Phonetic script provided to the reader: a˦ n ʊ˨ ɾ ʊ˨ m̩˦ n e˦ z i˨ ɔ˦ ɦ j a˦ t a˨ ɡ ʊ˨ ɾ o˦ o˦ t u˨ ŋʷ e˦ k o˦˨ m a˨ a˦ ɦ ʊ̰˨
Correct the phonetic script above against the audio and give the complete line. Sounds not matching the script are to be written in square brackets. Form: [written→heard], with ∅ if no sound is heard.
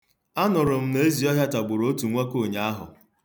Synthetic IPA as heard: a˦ n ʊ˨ ɾ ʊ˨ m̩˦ n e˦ z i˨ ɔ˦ ɦ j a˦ t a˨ [ɡ→ɡ͡b] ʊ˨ ɾ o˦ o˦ t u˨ ŋʷ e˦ k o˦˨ [m→ɲ] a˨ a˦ ɦ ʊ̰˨